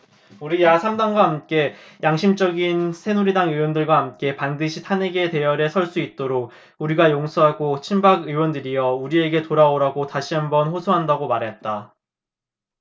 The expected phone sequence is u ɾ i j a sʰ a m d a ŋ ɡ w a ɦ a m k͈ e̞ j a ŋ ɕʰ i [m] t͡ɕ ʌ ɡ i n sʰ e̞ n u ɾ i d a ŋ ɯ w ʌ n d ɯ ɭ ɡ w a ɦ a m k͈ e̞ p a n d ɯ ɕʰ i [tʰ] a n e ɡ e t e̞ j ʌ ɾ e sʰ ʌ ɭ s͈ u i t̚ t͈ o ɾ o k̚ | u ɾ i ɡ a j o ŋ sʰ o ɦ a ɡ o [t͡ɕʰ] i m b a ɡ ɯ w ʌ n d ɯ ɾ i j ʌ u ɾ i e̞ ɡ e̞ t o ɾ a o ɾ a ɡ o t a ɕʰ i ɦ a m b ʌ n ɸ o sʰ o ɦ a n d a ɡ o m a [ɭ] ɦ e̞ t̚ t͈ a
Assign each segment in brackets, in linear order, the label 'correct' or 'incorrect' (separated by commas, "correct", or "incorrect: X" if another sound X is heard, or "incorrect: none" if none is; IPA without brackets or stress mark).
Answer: correct, correct, correct, incorrect: ɾ